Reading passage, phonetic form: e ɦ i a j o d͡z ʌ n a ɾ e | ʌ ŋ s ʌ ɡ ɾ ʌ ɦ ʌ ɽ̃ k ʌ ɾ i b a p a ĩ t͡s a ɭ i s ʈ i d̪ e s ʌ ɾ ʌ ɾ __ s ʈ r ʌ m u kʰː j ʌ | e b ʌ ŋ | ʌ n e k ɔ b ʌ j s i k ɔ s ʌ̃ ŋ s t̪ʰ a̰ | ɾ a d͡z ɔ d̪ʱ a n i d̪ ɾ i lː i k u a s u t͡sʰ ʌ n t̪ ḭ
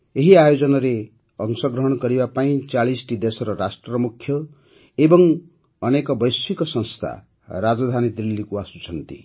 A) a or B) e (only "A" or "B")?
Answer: A